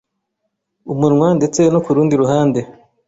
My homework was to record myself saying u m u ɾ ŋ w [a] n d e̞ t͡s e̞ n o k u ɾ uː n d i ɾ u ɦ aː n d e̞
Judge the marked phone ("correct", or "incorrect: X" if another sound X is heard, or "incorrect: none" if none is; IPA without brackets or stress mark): correct